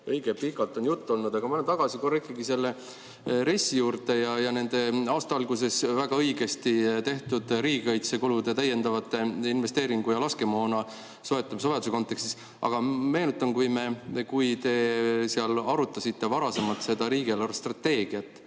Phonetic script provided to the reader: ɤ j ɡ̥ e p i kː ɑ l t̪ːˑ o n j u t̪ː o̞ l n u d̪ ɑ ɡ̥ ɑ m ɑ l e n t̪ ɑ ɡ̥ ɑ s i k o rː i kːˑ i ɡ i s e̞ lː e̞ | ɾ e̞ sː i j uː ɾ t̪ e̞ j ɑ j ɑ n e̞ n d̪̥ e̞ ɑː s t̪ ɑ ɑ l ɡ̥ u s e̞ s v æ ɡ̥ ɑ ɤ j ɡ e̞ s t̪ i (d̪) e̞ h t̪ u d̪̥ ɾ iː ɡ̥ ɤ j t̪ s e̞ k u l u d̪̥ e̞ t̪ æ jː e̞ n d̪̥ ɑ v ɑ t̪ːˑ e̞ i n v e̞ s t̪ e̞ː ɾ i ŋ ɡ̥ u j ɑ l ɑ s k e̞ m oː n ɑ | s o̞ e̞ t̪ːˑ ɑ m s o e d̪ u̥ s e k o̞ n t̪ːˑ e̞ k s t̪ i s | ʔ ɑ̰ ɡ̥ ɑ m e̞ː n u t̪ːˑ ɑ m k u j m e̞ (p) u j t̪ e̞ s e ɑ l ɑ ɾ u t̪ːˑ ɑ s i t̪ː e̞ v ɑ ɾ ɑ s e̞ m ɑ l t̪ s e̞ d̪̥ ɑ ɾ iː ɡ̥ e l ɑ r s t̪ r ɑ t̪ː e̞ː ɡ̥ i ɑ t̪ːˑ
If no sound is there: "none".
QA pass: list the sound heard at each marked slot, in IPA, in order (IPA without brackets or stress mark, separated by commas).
t̪, k